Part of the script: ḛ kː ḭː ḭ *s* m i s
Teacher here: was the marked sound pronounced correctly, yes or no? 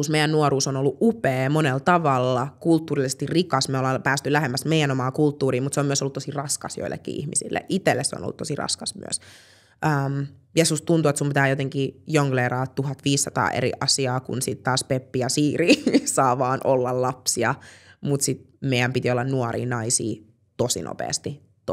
no